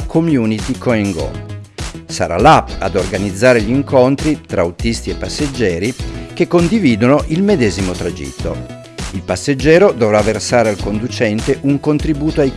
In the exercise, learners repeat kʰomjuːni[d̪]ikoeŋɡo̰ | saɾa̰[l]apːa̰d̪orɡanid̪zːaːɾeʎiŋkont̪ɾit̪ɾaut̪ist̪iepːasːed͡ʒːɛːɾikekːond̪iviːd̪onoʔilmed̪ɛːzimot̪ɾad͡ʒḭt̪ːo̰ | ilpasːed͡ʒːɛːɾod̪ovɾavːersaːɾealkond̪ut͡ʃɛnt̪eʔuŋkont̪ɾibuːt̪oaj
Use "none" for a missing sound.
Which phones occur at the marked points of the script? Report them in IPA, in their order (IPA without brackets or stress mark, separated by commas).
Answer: t̪, l